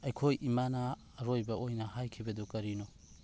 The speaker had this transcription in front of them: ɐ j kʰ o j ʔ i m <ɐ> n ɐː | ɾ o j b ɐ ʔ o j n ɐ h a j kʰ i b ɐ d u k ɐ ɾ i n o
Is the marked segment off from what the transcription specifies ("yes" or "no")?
yes